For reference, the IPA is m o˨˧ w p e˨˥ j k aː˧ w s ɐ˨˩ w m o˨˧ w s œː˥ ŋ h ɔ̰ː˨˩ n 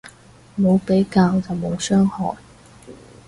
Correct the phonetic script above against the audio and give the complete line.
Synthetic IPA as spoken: m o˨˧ w p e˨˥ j k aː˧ w t͡s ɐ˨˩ w m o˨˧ w s œː˥ ŋ h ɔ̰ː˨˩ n

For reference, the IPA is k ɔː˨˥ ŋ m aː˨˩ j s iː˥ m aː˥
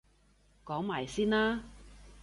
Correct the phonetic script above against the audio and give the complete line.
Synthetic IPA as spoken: k ɔː˨˥ ŋ m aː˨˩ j s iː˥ n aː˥

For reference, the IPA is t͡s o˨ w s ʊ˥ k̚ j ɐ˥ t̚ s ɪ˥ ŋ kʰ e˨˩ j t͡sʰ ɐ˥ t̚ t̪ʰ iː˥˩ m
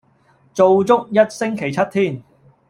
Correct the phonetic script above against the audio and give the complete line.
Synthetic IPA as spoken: t͡s o˨ w t͡s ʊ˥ k̚ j ɐ˥ t̚ s ɪ˥ ŋ kʰ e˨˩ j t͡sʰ ɐ˥ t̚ t̪ʰ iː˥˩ n

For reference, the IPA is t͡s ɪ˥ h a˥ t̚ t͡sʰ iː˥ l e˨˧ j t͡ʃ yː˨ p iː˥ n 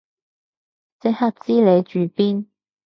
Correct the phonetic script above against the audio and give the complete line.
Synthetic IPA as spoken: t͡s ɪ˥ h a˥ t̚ t͡s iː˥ l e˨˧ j t͡ʃ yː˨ p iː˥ n

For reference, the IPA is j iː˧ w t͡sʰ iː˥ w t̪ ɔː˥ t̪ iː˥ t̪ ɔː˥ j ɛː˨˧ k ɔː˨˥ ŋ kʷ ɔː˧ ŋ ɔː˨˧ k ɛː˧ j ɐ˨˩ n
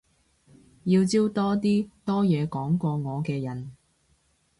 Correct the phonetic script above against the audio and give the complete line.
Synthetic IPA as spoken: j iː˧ w t͡s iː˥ w t̪ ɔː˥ t̪ iː˥ t̪ ɔː˥ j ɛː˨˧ k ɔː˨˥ ŋ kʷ ɔː˧ ŋ ɔː˨˧ k ɛː˧ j ɐ˨˩ n

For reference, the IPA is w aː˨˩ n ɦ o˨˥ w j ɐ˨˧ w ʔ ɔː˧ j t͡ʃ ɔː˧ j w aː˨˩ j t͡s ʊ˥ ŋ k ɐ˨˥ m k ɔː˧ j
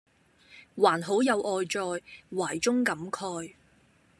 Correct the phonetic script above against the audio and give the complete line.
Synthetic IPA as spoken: w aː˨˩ n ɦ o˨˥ w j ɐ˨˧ w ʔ ɔː˧ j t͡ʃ ɔː˧ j w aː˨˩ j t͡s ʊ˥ ŋ k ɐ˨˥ m kʰ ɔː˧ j

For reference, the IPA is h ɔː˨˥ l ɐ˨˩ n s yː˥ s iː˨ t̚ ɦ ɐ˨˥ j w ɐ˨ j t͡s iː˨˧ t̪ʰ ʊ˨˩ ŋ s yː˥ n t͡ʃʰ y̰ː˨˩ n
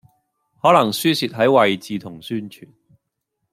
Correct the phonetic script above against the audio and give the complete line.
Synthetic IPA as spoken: h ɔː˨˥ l ɐ˨˩ ŋ s yː˥ s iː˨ t̚ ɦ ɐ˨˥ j w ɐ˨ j t͡s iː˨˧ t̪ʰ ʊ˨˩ ŋ s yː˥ n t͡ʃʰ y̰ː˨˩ n

